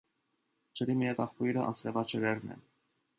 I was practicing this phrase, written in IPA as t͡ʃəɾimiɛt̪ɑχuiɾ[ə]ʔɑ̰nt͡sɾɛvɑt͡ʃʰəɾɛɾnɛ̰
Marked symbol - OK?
yes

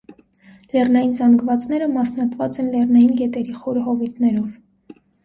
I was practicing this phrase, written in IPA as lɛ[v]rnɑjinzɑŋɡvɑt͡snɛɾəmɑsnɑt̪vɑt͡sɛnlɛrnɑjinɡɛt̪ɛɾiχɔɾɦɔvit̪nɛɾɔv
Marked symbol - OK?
no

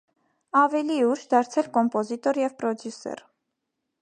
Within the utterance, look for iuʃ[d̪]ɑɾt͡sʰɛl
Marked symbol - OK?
yes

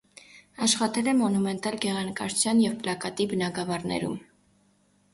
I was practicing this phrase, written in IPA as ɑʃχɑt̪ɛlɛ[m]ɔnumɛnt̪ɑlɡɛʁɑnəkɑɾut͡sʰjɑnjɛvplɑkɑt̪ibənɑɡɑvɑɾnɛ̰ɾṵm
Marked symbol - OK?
yes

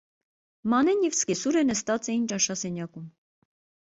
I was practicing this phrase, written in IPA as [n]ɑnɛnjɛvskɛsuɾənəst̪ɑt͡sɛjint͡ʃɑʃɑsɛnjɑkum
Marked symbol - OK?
no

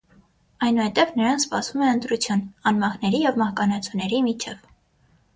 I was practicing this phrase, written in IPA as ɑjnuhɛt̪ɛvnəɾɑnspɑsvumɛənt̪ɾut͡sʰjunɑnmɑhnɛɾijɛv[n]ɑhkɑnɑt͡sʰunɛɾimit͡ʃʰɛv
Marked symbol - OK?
no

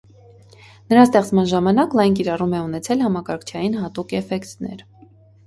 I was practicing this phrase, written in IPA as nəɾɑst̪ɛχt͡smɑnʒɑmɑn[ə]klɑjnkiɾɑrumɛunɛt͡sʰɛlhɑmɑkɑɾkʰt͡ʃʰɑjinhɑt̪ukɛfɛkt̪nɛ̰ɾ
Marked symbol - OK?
no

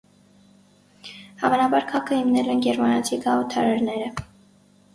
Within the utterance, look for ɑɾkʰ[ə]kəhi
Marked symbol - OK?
no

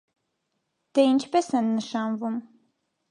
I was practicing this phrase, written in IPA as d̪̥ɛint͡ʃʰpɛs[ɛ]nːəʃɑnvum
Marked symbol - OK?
yes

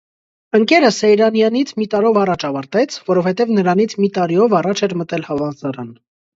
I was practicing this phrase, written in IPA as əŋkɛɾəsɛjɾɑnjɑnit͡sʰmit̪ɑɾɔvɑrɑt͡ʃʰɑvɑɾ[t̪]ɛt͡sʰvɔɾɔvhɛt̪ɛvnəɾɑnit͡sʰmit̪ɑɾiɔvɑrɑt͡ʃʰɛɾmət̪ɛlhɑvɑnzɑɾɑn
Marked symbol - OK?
yes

